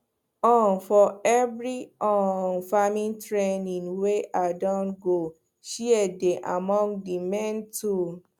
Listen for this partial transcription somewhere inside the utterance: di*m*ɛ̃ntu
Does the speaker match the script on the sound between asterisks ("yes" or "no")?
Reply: yes